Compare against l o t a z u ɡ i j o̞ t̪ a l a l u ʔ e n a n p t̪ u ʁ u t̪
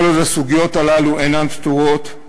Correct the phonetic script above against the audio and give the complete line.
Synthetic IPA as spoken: l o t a s u ɡ i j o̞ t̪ a l a l u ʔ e n a n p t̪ u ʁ o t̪